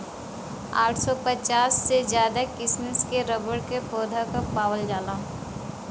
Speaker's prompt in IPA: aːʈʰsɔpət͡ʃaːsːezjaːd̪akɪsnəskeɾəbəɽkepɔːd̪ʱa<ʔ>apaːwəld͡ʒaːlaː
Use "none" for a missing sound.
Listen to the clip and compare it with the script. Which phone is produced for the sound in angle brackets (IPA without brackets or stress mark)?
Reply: k